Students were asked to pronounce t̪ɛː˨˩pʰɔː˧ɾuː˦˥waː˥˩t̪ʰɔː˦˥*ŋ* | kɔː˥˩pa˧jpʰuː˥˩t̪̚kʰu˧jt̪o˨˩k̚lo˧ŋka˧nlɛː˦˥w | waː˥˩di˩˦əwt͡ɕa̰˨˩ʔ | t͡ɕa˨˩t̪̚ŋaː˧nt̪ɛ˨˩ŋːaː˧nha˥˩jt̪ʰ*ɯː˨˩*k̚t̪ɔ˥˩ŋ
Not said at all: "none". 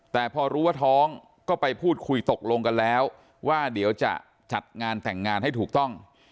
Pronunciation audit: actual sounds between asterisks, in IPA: ŋ, uː˨˩

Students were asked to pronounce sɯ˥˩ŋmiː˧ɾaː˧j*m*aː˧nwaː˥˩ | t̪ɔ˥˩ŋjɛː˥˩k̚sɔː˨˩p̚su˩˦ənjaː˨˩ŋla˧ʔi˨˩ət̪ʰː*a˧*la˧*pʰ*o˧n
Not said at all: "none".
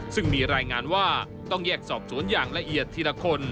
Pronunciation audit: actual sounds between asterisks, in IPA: ŋ, i˧, kʰ

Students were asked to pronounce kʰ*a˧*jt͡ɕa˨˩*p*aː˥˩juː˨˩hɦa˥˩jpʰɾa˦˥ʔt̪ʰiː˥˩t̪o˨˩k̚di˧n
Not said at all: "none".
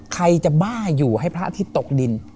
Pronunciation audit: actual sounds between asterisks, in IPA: a˧, b

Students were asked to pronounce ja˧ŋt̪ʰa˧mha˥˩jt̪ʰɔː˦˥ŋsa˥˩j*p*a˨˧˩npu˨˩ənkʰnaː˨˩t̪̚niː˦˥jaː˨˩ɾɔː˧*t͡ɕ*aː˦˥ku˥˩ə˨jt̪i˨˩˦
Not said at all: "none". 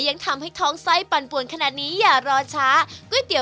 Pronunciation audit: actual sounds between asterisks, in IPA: p, t͡ɕʰ

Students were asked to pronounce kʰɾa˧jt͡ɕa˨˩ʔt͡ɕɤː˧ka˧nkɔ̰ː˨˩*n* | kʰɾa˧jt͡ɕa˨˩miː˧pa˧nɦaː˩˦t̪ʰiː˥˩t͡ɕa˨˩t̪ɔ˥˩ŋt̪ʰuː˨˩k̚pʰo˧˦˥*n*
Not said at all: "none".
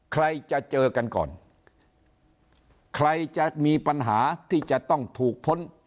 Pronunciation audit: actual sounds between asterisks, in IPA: n, n

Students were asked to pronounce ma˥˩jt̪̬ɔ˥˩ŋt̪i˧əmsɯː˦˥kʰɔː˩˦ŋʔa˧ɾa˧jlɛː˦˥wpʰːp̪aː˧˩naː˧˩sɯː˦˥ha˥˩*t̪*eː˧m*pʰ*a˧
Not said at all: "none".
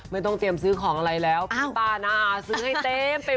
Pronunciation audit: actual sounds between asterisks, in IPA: t̪, p

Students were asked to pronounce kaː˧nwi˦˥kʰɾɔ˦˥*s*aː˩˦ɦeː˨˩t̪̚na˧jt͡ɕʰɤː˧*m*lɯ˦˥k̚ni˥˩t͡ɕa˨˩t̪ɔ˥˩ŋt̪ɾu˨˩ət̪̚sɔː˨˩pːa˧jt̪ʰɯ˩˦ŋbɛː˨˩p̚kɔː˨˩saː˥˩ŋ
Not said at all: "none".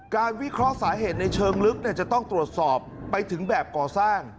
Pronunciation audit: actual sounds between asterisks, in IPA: s, ŋ

